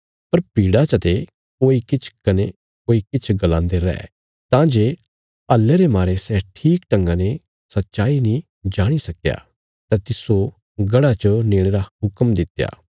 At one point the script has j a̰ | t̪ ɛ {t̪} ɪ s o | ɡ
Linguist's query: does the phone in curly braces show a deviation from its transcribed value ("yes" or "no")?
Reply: no